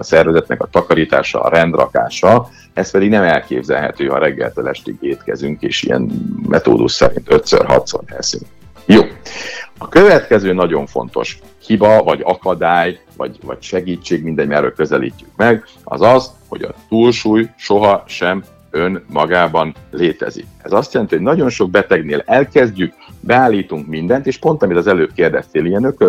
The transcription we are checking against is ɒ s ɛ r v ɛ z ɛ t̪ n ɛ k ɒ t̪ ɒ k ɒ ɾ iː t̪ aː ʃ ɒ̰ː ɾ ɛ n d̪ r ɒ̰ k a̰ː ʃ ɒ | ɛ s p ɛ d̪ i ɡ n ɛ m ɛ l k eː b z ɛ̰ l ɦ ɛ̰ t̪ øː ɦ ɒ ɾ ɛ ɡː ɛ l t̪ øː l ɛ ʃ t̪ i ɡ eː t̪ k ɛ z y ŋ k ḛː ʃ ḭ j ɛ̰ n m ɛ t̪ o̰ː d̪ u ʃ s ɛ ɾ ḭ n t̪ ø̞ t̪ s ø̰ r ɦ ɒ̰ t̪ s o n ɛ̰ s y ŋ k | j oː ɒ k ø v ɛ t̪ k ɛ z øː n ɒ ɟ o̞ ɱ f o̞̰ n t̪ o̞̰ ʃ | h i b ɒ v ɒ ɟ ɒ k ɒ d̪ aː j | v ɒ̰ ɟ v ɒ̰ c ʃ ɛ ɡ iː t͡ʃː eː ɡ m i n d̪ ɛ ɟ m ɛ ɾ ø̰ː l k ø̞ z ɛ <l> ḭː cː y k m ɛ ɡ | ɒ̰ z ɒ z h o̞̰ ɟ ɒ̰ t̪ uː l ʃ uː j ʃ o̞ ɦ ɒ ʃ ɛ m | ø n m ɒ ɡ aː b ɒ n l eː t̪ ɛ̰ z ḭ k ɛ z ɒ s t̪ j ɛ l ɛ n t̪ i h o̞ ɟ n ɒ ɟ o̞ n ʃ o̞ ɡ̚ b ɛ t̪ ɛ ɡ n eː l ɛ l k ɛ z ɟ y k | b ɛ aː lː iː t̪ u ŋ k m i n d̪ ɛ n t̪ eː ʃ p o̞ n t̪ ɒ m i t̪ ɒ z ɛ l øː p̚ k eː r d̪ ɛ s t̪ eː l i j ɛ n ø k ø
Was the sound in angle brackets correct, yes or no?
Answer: yes